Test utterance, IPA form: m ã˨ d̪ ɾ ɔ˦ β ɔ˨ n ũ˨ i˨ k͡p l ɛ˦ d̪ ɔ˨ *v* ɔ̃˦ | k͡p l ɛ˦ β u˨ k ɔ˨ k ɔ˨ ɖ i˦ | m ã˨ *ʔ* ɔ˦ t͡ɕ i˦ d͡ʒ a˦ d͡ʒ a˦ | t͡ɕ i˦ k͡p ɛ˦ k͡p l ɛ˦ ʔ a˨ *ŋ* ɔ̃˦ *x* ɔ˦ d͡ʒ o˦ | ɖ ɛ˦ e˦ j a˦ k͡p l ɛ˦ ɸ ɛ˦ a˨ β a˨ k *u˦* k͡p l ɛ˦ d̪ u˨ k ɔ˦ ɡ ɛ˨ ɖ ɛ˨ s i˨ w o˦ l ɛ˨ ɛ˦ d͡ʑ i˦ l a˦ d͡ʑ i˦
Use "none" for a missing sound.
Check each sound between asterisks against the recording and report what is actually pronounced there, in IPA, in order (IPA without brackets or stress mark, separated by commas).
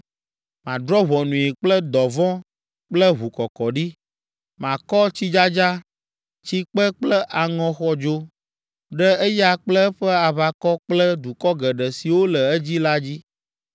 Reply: v, k, ŋ, x, ɔ˦